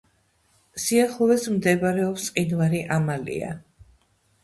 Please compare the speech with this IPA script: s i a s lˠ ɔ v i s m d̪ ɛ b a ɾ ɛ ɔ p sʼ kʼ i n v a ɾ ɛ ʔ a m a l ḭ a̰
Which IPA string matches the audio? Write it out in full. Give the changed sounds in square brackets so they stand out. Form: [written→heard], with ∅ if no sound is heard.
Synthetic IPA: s i a [s→χ] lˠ ɔ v [i→ɛ] s m d̪ ɛ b a ɾ ɛ ɔ p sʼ [kʼ→qʼ] i n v a ɾ [ɛ→i] ʔ a m a l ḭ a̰